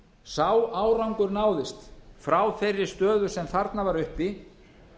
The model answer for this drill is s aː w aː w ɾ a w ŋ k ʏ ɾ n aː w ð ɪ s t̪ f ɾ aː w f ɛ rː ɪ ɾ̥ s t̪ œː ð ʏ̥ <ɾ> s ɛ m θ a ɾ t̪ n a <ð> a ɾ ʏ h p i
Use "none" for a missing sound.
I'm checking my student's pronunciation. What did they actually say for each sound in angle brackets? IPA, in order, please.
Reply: none, v

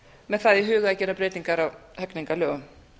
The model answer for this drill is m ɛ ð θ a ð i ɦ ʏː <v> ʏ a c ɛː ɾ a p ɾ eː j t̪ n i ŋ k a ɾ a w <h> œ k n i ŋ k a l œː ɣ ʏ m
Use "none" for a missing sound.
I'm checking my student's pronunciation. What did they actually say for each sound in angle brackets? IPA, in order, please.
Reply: ɣ, h

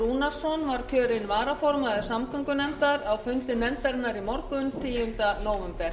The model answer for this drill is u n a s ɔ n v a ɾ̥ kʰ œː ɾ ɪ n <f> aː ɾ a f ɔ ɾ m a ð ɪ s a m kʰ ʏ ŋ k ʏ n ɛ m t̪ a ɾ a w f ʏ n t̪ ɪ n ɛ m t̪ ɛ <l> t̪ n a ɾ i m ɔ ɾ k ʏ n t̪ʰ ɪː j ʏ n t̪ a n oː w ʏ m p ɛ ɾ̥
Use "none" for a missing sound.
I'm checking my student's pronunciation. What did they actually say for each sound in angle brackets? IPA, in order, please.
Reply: v, ɾ

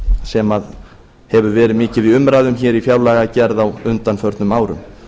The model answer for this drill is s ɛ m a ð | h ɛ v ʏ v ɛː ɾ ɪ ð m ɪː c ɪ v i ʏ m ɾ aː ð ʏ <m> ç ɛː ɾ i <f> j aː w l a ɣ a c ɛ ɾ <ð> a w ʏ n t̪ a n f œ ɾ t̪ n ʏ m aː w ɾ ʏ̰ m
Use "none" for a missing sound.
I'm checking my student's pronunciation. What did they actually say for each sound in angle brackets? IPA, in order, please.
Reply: m, f, ð

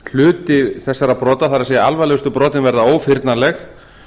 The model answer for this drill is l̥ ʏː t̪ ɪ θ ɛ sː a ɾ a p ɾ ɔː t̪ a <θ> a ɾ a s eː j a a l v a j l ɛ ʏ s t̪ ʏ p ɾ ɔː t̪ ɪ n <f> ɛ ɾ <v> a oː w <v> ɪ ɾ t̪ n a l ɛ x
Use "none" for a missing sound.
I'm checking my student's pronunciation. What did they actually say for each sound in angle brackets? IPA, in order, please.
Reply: θ, v, ð, f

